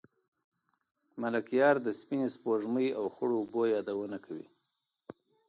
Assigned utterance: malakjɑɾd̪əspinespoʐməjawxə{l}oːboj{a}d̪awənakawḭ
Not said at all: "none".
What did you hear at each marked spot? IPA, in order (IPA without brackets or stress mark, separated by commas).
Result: ɽ, ɑ